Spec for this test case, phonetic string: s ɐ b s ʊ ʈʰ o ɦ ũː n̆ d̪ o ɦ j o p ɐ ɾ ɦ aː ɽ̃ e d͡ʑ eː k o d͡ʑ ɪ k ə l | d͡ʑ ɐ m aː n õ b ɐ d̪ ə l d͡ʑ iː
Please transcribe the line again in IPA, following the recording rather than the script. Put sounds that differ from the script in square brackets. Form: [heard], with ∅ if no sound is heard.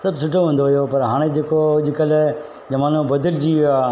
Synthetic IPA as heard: s ɐ b s ʊ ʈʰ o ɦ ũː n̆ d̪ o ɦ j o p ɐ ɾ ɦ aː ɽ̃ e d͡ʑ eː k o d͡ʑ ɪ k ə l | d͡ʑ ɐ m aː n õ b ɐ d̪ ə l d͡ʑ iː